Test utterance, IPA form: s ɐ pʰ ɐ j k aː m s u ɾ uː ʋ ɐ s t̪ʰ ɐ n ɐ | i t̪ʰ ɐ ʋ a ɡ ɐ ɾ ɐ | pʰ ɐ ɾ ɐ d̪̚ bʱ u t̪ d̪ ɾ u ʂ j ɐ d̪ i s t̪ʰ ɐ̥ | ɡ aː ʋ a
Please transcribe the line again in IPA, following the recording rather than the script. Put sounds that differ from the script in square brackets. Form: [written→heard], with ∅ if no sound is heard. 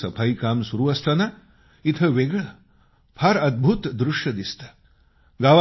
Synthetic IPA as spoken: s ɐ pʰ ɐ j k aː m s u ɾ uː ʋ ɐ s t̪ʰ ɐ n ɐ | i t̪ʰ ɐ ʋ [a→e] ɡ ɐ [ɾ→ɭ] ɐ | pʰ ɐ ɾ ɐ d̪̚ bʱ u t̪ d̪ ɾ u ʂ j ɐ d̪ i s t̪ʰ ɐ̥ | ɡ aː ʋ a